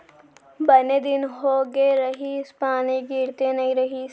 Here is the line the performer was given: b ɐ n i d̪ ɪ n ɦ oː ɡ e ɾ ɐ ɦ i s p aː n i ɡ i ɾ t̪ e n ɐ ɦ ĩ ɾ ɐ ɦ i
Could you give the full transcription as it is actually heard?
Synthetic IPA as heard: b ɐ n e d̪ ɪ n ɦ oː ɡ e ɾ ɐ ɦ i s p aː n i ɡ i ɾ t̪ e n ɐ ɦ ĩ ɾ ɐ ɦ i

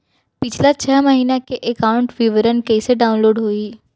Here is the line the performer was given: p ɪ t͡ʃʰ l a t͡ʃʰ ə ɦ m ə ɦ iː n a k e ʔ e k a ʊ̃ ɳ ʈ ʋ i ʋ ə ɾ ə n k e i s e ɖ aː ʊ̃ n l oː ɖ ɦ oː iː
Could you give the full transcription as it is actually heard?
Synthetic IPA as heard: p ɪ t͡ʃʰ l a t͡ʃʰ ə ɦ m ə ɦ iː n a k e ʔ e k a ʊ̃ ɳ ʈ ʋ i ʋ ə ɾ ə n k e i s e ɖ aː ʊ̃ n l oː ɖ ɦ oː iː

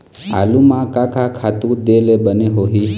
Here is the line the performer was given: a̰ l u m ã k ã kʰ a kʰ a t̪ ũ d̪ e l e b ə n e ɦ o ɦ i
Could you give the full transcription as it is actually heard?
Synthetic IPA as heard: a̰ l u m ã k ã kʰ a kʰ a t̪ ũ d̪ e l e b ə n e ɦ o ɦ i

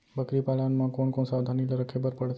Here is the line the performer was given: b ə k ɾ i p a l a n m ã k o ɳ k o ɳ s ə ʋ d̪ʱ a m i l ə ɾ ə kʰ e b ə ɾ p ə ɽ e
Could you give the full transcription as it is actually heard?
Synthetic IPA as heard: b ə k ɾ i p a l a n m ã k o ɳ k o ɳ s a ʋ d̪ʱ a n i l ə ɾ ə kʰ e b ə ɾ p ə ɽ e

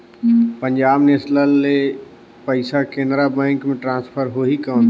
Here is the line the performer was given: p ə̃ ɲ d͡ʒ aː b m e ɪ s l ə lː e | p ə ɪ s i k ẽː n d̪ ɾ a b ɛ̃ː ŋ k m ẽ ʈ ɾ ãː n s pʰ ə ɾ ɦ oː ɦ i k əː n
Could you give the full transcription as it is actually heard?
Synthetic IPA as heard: p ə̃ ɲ d͡ʒ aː b n e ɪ s l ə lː e | p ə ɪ s a k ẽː n d̪ ɾ a b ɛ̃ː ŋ k m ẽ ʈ ɾ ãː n s pʰ ə ɾ ɦ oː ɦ i k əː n

